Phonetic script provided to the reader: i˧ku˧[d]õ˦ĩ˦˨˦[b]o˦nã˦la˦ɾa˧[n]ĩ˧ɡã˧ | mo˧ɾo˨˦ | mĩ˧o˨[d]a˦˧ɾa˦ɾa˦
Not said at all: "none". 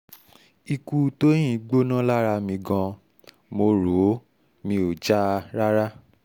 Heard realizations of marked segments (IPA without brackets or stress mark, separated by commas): t, ɡ͡b, m, d͡ʒ